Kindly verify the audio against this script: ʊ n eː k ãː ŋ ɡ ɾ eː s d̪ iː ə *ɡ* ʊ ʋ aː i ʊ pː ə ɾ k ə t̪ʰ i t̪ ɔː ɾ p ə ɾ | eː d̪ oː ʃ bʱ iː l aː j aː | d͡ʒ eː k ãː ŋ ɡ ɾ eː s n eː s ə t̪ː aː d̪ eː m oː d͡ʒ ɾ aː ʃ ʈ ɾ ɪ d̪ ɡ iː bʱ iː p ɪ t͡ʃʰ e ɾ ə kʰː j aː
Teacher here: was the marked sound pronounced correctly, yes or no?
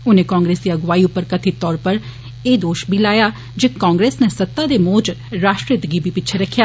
yes